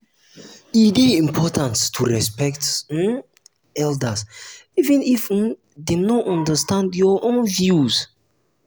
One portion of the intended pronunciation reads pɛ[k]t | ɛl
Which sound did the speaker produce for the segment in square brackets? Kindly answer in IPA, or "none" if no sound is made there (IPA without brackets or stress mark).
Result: k